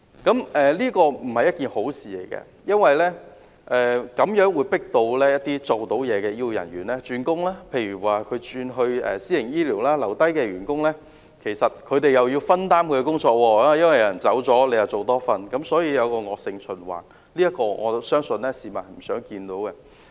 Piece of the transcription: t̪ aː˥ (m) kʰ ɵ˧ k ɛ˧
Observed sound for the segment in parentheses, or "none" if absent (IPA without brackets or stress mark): m